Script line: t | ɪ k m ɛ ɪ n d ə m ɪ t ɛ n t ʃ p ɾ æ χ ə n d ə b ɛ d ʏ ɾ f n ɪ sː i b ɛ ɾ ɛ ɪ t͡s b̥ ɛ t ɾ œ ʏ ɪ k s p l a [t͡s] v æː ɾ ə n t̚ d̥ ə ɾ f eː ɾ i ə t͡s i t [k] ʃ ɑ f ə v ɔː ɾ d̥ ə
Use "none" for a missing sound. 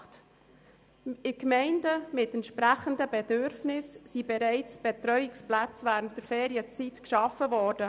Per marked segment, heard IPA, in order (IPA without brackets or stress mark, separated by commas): t͡s, k